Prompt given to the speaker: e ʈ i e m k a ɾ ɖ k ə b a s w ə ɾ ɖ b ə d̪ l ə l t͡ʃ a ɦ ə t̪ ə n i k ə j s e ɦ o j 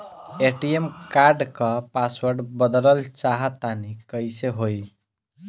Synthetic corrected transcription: e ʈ i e m k a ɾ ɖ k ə p a s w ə ɾ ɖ b ə d̪ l ə l t͡ʃ a ɦ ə t̪ a n i k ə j s e ɦ o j